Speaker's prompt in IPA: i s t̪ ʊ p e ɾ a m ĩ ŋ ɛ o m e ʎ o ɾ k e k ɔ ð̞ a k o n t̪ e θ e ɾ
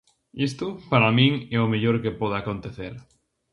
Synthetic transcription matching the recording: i s t̪ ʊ p a ɾ a m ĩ ŋ ɛ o m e ʎ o ɾ k e p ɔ ð̞ a k o n t̪ e θ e ɾ